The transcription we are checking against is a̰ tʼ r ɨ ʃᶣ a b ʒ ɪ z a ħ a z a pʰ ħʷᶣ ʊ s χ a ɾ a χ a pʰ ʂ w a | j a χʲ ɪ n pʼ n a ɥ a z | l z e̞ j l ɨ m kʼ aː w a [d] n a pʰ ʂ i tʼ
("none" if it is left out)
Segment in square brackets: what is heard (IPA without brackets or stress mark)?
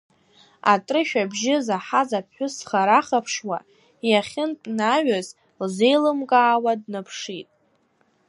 d